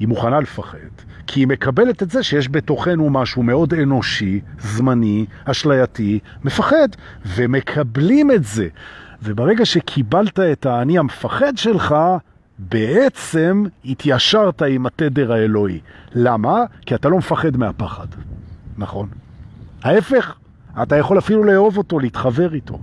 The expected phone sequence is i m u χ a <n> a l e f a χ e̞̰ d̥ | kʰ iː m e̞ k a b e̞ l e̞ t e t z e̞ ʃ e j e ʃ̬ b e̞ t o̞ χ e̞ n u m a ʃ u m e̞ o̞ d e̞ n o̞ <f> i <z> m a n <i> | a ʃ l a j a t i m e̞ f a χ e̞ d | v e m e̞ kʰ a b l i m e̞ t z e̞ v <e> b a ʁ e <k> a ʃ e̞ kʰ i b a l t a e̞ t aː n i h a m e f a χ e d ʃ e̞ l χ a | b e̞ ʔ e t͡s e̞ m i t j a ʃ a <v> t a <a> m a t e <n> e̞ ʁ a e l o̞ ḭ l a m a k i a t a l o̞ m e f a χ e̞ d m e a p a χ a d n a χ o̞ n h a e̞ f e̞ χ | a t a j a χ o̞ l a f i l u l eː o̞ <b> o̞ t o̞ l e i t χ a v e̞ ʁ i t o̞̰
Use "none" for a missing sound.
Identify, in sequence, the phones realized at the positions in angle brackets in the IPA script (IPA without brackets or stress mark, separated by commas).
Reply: n, ʃ, z, i, e, ɡ, ʁ, i, d, v